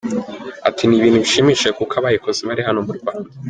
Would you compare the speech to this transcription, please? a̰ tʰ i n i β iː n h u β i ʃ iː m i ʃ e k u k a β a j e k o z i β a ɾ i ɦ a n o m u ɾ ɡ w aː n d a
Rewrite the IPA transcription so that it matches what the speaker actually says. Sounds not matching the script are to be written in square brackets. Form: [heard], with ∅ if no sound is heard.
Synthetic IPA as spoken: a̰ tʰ i n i β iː n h u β i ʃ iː m i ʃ e k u k a β a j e k o z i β a ɾ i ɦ a n o m u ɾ ɡ w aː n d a